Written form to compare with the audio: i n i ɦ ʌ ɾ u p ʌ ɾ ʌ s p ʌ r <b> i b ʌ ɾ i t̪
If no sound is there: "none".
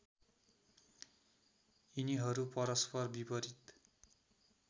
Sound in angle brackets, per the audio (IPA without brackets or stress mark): b